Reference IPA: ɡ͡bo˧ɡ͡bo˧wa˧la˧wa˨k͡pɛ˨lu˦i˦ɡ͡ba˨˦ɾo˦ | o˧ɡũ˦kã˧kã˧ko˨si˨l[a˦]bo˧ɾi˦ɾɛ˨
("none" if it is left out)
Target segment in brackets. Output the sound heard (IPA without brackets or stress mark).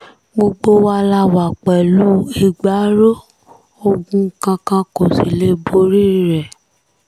e˦